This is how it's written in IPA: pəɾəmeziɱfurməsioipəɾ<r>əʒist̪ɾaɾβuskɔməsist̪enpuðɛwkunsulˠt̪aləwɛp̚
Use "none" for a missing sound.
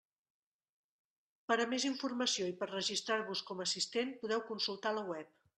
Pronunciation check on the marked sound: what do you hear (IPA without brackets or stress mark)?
r